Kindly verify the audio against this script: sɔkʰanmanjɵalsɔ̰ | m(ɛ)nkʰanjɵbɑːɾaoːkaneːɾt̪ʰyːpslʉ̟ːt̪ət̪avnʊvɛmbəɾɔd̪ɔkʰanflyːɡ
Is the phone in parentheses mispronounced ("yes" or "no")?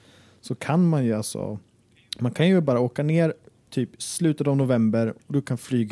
yes